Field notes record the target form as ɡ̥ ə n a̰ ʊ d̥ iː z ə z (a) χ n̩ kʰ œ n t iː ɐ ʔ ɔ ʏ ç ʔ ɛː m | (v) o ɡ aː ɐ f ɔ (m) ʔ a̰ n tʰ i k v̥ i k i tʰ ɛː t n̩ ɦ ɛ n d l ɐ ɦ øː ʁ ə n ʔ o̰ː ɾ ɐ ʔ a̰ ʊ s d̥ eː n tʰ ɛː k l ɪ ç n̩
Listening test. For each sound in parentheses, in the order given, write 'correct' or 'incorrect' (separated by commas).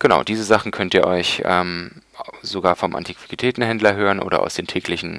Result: correct, incorrect, correct